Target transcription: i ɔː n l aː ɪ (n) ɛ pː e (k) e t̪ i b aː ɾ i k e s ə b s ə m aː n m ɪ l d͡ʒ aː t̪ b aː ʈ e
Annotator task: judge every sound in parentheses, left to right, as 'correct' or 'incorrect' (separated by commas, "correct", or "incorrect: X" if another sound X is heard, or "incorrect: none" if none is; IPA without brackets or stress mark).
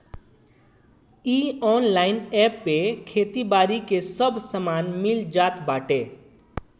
correct, incorrect: kʰ